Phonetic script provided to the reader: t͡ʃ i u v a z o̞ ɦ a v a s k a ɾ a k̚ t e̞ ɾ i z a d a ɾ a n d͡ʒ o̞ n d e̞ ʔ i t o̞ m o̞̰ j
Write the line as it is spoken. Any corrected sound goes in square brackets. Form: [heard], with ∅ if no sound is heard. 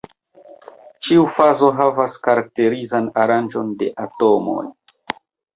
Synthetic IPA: t͡ʃ i u [f] a z o̞ ɦ a v a s k a ɾ a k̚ t e̞ ɾ i z a [n] a ɾ a n d͡ʒ o̞ n d e̞ ʔ [a] t o̞ m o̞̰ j